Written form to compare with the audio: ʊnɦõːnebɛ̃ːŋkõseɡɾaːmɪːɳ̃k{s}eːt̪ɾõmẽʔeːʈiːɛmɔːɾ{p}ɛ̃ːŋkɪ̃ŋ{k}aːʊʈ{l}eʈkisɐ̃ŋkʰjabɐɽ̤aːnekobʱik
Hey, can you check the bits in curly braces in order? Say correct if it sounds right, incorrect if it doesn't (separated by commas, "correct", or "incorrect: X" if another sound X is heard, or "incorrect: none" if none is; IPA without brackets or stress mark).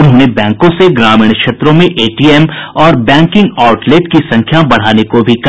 incorrect: ʃ, incorrect: b, incorrect: ɡ, correct